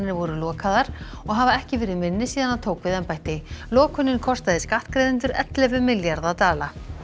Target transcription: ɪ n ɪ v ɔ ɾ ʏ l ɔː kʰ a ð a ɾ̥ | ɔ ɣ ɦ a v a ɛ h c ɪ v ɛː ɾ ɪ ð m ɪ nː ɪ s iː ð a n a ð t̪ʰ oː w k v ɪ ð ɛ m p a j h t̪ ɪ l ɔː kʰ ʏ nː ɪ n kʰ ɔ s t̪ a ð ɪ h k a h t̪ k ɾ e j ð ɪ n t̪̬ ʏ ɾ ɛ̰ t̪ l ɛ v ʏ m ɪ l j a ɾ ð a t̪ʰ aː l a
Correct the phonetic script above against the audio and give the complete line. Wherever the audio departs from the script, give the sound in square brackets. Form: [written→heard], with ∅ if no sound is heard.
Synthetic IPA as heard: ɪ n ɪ v ɔ ɾ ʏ l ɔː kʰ a ð a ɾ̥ | ɔ ɣ ɦ a v a ɛ h c ɪ v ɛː ɾ ɪ ð m ɪ nː ɪ s iː ð a n a ð t̪ʰ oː w k v ɪ ð ɛ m p a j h t̪ ɪ l ɔː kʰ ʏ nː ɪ n kʰ ɔ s t̪ a ð ɪ [h→s] k a h t̪ k ɾ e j ð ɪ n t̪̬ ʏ ɾ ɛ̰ t̪ l ɛ v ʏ m ɪ l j a ɾ ð a [t̪ʰ→t̪] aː l a